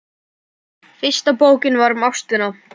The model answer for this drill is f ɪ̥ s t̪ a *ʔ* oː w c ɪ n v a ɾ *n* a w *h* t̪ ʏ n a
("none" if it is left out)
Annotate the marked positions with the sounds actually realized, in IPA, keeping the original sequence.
p, m, s

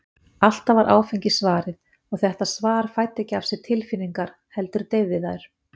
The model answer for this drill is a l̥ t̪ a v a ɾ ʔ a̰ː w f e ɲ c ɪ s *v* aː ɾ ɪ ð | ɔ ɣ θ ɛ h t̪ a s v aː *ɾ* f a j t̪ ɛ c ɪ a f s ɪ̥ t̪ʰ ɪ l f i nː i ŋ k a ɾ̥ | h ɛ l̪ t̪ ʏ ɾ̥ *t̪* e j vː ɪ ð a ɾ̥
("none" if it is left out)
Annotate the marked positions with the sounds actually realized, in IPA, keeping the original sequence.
v, ɾ, t̪

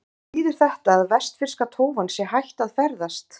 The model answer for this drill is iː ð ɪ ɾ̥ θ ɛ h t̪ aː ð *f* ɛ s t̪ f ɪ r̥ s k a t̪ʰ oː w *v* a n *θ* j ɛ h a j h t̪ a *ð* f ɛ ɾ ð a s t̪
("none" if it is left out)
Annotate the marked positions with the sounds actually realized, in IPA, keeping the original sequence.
v, v, s, ð

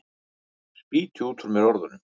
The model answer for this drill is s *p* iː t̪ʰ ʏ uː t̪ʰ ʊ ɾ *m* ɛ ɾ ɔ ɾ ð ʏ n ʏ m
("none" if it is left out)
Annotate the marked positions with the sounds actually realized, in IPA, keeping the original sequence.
p, m

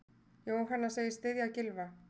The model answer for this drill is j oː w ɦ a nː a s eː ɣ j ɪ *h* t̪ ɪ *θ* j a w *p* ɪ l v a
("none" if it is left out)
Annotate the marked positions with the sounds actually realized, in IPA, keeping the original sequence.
s, ð, c

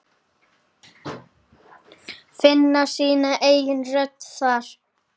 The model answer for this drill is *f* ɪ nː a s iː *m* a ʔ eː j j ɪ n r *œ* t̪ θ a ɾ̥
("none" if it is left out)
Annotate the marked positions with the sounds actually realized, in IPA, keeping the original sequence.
f, n, œ

